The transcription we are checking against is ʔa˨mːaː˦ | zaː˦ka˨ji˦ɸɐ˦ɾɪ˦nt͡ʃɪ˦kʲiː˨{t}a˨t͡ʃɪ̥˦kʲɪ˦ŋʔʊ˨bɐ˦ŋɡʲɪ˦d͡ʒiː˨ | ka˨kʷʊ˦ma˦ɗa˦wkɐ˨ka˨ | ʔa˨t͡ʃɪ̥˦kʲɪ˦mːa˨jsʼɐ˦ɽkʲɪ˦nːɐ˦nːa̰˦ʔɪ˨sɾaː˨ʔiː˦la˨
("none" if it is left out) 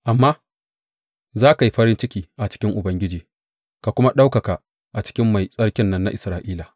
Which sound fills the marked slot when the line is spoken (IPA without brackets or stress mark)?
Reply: ʔ